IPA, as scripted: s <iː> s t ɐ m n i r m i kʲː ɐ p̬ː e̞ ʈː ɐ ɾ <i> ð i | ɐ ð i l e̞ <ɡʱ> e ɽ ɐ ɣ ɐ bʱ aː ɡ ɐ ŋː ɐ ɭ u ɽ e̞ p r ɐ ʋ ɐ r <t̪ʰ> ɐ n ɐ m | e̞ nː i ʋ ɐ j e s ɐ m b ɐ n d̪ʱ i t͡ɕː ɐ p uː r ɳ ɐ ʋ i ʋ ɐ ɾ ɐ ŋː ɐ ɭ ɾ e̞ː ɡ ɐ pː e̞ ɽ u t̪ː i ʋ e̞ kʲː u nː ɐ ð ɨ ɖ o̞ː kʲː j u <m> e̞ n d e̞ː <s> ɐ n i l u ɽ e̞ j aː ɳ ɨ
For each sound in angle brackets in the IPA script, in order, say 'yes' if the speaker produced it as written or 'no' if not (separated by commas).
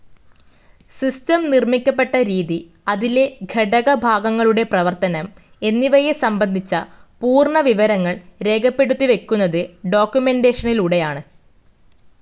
no, no, yes, no, yes, no